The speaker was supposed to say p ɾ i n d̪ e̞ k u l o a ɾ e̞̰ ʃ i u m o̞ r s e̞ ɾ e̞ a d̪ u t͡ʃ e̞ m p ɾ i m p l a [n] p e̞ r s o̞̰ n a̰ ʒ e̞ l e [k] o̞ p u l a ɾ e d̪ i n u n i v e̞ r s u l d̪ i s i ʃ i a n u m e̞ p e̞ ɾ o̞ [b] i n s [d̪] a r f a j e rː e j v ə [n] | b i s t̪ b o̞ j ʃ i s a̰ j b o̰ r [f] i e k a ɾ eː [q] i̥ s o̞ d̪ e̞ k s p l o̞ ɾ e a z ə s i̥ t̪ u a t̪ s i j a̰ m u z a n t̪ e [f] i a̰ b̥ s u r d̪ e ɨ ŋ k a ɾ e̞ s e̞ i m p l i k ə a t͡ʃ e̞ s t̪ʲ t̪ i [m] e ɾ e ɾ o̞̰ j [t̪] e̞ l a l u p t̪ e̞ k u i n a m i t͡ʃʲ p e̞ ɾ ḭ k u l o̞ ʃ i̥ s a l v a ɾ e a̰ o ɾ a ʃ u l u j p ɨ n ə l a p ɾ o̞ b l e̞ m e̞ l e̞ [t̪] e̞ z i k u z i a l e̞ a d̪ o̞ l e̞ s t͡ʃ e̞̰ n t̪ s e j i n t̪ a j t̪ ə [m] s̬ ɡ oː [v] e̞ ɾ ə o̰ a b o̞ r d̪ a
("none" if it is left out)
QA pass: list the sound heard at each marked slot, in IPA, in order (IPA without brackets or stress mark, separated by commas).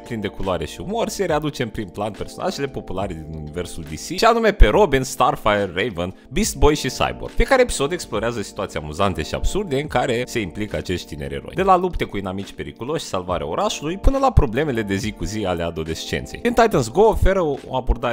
n, p, b, t̪, n, f, p, ʃ, n, d̪, d̪, n, f